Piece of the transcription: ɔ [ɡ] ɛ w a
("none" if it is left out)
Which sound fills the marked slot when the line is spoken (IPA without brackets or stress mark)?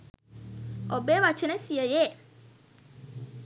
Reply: b